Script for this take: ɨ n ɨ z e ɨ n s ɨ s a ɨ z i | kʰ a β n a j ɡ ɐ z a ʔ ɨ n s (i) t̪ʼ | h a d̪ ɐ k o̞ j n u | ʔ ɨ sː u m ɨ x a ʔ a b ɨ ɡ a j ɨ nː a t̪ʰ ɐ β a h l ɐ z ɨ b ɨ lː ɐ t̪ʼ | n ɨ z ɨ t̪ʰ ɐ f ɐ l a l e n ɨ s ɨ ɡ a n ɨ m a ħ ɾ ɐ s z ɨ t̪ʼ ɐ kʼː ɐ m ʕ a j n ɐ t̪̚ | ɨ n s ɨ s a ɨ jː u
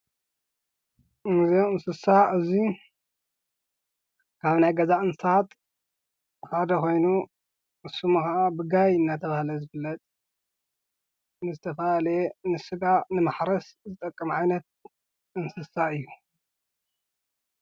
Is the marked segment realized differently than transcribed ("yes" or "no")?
yes